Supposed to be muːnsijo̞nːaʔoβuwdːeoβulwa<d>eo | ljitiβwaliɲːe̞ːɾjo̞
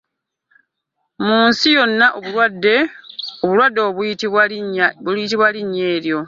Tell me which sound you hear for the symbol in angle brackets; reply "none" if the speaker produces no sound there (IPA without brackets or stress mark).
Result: dː